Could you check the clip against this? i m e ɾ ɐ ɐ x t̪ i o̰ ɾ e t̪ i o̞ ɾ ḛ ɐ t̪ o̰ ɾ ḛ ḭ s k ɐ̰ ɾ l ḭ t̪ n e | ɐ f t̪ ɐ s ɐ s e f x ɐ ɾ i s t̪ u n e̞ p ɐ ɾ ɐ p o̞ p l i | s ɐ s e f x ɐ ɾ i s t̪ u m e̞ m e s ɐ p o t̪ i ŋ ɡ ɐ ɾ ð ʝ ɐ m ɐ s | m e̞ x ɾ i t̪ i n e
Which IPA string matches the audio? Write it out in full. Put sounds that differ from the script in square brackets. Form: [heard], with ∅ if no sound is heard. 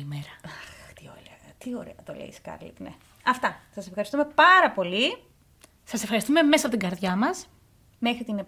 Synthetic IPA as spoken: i m e ɾ ɐ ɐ x t̪ i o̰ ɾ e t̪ i o̞ ɾ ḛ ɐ t̪ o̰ [l] ḛ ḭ s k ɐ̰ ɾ l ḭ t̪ n e | ɐ f t̪ ɐ s ɐ s e f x ɐ ɾ i s t̪ u [m] e̞ p ɐ ɾ ɐ p o̞ [∅] l i | s ɐ s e f x ɐ ɾ i s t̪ u m e̞ m e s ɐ p o t̪ i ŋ ɡ ɐ ɾ ð ʝ ɐ m ɐ s | m e̞ x ɾ i t̪ i n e